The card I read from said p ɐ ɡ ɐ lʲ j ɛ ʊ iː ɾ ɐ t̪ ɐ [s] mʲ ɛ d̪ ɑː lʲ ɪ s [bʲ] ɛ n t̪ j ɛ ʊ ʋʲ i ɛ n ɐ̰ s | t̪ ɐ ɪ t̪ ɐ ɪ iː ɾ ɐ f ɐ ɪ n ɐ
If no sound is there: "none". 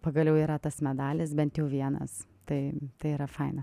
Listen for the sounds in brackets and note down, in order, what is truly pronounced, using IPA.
s, bʲ

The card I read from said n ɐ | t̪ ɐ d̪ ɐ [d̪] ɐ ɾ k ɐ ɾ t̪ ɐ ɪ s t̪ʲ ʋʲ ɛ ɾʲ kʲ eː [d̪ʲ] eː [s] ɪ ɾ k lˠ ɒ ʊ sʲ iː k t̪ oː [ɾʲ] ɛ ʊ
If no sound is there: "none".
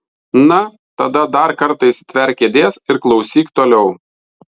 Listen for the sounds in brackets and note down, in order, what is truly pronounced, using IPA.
d̪, d̪ʲ, s, lʲ

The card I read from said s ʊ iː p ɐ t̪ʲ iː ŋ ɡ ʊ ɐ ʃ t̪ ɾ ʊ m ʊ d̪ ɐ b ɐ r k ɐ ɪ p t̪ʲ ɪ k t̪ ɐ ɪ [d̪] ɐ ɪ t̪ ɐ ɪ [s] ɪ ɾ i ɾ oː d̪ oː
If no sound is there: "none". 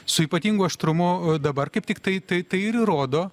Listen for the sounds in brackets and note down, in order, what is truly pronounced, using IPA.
t̪, none

